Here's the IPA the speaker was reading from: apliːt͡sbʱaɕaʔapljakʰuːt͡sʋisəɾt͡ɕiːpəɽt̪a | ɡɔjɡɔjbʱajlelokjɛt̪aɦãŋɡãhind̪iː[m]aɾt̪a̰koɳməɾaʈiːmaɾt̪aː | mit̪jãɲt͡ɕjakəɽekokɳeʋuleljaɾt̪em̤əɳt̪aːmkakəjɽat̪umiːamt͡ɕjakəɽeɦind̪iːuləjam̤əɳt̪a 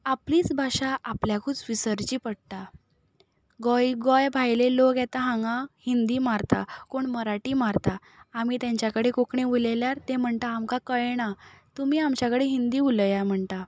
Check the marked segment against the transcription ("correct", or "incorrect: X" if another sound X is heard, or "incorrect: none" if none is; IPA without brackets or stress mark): correct